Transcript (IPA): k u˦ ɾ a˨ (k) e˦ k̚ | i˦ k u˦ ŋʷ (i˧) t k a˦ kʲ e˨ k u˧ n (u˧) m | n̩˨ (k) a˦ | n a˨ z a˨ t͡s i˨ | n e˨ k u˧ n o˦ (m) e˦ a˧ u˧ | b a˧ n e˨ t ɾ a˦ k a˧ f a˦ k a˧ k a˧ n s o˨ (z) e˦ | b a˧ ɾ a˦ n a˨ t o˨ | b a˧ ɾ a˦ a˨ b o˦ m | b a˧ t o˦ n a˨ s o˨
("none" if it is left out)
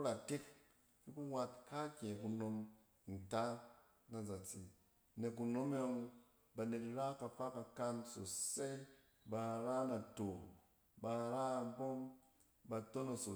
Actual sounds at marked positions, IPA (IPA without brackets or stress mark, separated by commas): t, a˧, o˧, t, m, s